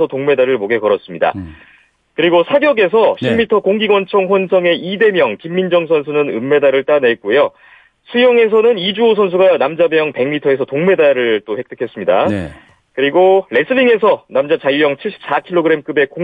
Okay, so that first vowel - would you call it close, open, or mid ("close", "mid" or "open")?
mid